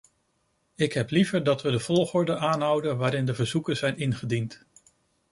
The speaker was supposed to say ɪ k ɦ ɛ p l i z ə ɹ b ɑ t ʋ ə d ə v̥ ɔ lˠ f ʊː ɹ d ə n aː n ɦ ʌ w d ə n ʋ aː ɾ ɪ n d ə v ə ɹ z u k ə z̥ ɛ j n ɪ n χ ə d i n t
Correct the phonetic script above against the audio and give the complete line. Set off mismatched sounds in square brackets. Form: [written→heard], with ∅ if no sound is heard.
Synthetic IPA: ɪ k ɦ ɛ p l i [z→v] ə ɹ [b→d] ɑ t ʋ ə d ə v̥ ɔ lˠ [f→χ] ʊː ɹ d ə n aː n ɦ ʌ w d ə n ʋ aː ɾ ɪ n d ə v ə ɹ z u k ə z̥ ɛ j n ɪ n χ ə d i n t